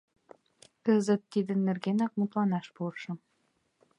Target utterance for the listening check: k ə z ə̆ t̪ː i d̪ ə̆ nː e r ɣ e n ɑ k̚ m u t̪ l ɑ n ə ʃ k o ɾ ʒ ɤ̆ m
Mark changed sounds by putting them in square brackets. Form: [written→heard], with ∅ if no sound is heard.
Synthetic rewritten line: k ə z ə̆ t̪ː i d̪ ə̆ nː e r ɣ e n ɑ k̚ m u t̪ l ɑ n [ə→ɑ] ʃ [k→p] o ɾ [ʒ→ʃ] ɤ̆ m